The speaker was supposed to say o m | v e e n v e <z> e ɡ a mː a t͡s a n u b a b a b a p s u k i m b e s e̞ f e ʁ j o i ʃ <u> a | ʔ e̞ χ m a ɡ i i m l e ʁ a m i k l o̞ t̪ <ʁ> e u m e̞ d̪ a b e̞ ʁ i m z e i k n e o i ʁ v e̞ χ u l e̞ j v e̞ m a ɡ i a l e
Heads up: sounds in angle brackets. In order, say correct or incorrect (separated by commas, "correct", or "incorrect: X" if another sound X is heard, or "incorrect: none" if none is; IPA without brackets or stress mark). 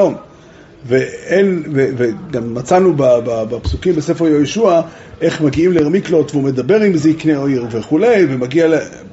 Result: incorrect: v, correct, incorrect: v